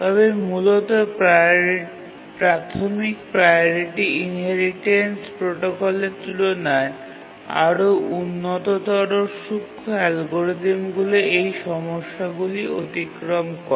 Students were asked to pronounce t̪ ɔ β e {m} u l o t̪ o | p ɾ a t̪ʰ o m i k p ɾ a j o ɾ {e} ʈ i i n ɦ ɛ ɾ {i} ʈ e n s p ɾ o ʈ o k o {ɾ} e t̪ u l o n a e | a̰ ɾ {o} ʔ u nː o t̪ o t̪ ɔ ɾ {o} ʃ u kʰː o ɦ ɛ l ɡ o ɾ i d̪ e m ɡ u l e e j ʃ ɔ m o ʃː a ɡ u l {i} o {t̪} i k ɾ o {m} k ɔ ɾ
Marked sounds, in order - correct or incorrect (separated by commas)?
correct, incorrect, correct, incorrect, correct, correct, correct, correct, correct